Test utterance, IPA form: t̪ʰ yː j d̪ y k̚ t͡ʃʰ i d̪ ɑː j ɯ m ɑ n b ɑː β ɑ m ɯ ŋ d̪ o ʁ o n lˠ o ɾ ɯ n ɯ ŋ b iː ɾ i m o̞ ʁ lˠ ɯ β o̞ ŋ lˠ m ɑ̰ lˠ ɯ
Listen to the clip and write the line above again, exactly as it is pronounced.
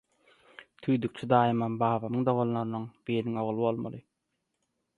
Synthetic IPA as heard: t̪ʰ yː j d̪ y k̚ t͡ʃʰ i d̪ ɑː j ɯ m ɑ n b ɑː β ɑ m ɯ ŋ d̪ o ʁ o n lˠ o ɾ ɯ n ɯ ŋ b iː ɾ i ŋ o̞ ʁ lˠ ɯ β o̞ lˠ m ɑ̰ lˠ ɯ